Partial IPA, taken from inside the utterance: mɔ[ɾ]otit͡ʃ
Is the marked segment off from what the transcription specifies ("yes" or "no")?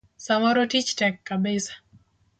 no